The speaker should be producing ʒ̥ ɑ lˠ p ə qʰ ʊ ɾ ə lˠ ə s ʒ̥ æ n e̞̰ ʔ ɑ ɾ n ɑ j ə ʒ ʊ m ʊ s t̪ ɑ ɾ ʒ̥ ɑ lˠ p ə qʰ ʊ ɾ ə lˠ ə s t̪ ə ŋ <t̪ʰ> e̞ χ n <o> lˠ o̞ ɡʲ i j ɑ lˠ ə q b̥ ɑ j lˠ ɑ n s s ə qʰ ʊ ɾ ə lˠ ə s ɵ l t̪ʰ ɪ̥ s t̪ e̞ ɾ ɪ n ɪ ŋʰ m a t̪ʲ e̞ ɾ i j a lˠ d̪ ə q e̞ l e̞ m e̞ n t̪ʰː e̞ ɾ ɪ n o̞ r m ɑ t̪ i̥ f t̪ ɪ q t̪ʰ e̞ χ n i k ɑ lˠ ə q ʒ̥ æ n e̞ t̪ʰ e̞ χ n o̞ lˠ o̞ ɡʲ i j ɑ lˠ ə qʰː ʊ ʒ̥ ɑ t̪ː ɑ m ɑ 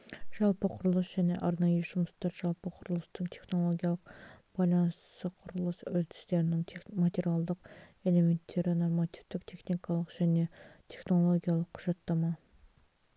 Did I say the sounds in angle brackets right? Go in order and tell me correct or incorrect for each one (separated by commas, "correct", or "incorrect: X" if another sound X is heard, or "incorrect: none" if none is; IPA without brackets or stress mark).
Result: correct, correct